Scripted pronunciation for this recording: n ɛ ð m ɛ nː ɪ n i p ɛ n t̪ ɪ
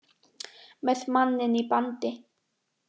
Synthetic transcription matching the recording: m ɛ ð m a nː ɪ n i p a n t̪ ɪ